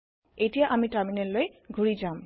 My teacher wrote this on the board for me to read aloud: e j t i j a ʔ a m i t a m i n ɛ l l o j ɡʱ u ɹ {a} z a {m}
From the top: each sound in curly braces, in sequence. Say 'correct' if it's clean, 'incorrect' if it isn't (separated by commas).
incorrect, correct